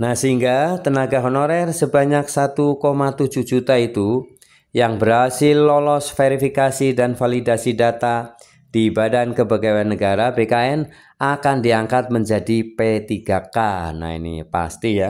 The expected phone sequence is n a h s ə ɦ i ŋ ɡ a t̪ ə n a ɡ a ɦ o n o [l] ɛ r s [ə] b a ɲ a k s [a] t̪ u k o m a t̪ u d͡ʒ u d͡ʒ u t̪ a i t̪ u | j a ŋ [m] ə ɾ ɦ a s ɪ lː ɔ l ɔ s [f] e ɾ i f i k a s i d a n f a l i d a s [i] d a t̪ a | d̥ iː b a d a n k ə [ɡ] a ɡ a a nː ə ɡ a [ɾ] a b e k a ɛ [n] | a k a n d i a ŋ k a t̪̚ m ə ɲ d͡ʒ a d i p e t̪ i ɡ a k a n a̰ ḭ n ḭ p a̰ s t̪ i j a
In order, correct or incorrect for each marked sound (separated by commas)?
incorrect, correct, correct, incorrect, correct, correct, incorrect, correct, correct